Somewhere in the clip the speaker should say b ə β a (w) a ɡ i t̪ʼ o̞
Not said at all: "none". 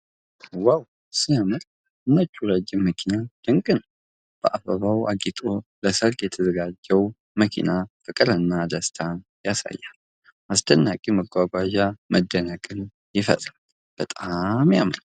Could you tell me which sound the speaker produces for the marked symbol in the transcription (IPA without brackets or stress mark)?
w